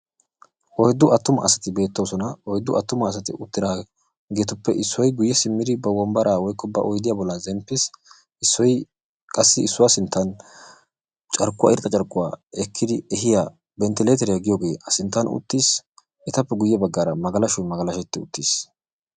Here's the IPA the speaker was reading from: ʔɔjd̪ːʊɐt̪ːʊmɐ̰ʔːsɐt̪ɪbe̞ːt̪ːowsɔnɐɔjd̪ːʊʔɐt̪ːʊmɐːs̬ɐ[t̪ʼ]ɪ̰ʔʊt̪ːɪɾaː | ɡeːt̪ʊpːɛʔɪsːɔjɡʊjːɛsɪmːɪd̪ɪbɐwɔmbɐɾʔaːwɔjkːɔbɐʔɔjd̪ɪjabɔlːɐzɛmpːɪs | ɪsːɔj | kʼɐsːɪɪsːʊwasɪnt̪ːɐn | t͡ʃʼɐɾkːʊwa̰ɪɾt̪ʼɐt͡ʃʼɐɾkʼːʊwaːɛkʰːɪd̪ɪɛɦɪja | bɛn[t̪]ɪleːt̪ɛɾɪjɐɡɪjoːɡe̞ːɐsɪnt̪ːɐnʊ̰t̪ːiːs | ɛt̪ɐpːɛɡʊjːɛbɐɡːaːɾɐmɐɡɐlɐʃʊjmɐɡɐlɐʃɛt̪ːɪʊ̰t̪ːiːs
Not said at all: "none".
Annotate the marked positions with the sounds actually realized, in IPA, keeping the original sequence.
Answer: t̪, t̪

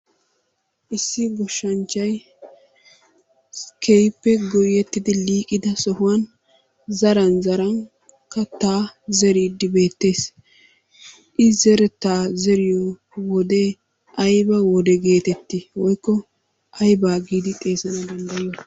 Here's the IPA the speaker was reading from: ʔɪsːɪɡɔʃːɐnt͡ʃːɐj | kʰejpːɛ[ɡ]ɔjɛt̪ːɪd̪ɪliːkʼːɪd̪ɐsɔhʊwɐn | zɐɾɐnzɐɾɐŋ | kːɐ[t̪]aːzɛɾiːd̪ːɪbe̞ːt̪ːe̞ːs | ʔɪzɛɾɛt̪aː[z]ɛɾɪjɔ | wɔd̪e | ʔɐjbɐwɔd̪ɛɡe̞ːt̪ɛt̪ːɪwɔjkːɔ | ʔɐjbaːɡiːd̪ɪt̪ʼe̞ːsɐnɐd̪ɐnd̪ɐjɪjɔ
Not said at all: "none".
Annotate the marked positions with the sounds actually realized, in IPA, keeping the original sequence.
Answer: ɡ, t̪, z

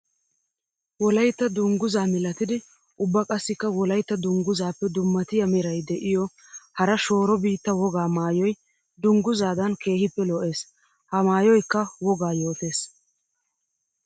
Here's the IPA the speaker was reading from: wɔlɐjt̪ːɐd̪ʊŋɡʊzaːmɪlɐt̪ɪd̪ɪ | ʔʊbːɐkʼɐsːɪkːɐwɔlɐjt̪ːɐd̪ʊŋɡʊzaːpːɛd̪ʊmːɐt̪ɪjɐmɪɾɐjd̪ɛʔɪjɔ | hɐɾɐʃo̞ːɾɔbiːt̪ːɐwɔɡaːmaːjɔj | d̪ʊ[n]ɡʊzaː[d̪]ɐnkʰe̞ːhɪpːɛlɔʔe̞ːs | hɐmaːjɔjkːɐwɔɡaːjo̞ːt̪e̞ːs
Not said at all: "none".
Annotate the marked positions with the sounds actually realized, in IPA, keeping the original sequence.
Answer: ŋ, d̪

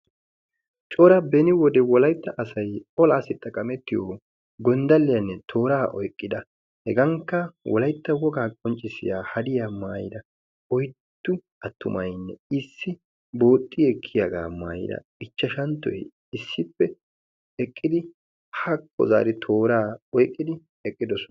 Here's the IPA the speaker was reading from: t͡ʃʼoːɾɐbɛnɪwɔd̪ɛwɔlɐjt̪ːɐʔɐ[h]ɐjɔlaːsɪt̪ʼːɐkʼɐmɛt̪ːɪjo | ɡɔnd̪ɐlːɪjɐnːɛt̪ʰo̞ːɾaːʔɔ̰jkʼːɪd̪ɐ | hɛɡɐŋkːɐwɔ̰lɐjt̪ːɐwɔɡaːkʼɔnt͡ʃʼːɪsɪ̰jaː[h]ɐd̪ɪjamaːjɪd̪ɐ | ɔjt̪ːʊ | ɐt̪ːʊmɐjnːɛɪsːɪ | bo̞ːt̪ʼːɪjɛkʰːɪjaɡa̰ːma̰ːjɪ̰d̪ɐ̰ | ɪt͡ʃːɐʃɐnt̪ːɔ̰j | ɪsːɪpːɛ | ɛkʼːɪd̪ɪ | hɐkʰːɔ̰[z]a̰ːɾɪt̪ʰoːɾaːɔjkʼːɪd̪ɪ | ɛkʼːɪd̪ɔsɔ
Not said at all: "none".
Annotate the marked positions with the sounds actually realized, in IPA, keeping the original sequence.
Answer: s, h, z

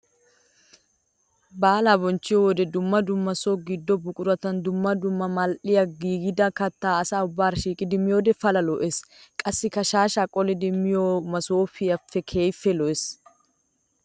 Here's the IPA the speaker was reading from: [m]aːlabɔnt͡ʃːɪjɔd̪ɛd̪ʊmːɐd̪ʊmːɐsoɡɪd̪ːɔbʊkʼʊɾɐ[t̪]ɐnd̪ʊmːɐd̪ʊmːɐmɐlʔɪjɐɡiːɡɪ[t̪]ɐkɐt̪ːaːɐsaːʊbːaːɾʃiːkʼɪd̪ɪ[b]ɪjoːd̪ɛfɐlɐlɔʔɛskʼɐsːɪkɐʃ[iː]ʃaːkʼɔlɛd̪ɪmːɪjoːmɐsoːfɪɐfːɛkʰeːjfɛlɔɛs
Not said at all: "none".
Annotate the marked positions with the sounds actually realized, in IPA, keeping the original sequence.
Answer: b, t̪, d̪, m, aː

